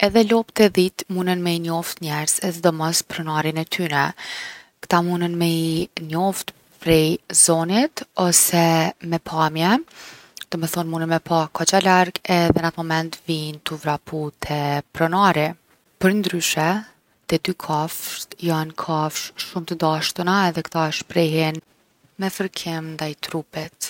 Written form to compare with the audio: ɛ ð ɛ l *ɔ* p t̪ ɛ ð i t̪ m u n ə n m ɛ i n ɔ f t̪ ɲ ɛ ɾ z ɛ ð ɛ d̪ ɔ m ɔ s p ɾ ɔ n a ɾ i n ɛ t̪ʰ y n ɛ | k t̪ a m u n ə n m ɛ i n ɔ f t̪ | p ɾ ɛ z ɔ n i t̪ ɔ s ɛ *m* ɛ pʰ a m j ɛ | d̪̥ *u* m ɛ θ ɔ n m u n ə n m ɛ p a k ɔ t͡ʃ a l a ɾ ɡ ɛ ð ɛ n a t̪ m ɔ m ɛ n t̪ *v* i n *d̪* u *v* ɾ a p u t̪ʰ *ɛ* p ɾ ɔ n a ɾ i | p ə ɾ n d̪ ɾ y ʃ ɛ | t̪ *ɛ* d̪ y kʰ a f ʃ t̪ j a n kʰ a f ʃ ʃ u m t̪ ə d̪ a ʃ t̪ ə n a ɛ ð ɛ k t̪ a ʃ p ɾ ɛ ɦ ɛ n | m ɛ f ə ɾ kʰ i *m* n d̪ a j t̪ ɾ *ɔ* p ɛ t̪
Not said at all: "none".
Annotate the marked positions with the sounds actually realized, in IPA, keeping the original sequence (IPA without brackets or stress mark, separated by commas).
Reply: ɔ, m, ɔ, v, t̪, v, ɛ, ɛ, m, u